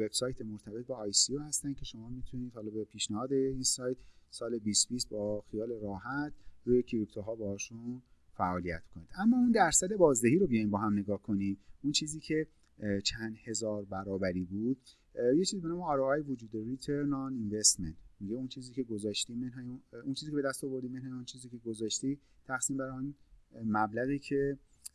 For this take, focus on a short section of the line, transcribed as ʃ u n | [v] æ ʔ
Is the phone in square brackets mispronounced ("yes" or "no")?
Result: yes